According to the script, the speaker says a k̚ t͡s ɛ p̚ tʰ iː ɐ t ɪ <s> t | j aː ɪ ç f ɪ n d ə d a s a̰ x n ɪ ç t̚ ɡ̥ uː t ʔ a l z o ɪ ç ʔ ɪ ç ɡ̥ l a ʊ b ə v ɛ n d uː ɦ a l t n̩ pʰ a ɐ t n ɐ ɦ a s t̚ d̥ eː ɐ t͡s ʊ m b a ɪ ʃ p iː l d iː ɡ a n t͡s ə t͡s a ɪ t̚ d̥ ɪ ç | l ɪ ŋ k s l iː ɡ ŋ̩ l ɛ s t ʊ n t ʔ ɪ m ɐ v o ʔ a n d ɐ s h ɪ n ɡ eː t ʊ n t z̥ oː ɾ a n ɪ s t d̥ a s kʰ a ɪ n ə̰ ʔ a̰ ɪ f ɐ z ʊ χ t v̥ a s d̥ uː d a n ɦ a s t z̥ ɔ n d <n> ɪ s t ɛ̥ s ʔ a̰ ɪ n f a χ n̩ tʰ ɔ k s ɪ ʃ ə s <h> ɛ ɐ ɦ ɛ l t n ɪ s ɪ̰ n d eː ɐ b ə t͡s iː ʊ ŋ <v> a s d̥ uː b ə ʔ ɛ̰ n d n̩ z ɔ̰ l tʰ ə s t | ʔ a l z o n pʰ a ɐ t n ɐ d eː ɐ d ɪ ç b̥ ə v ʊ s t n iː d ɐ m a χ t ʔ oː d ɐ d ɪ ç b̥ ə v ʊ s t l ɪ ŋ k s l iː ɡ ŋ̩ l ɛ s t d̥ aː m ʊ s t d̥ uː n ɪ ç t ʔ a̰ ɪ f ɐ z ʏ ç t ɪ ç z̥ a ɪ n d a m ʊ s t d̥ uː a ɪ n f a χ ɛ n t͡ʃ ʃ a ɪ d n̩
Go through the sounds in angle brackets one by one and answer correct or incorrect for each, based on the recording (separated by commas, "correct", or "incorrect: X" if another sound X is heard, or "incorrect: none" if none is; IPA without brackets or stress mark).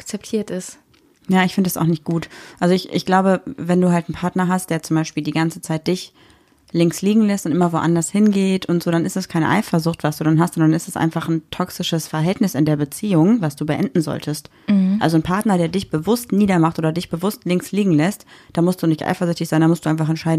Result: correct, correct, incorrect: f, correct